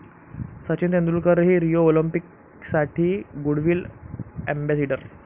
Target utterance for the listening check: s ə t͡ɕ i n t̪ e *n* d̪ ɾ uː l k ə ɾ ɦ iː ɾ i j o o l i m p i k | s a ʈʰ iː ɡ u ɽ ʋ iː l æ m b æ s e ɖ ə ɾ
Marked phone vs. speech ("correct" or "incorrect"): correct